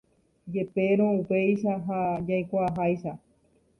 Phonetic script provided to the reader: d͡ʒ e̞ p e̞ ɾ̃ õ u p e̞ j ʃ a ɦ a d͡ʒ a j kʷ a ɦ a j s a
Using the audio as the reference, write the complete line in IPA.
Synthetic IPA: d͡ʒ e̞ p e̞ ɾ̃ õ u p e̞ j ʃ a ɦ a d͡ʒ a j kʷ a ɦ a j ʃ a